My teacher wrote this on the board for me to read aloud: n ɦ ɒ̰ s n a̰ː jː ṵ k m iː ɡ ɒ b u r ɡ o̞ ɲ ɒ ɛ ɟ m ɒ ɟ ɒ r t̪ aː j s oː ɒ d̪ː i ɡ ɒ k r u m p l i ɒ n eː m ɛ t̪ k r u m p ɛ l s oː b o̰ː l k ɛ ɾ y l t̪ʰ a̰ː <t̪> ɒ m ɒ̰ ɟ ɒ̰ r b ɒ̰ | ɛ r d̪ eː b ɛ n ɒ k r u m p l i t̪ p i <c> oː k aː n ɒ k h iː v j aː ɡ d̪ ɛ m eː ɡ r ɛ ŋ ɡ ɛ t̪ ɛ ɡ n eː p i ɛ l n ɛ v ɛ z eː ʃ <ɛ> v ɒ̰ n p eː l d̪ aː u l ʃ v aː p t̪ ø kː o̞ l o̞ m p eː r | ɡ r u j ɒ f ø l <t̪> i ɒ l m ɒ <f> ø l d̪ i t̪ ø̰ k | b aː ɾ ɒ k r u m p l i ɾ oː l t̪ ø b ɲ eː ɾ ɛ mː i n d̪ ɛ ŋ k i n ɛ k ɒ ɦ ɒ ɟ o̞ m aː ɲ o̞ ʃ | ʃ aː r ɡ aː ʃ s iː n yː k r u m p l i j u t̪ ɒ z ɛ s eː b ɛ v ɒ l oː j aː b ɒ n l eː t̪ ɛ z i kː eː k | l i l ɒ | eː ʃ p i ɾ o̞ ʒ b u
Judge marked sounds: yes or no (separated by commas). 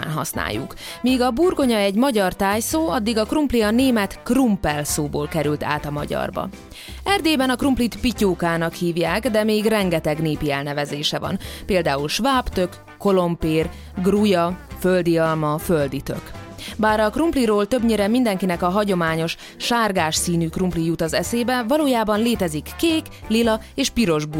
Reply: yes, yes, yes, no, yes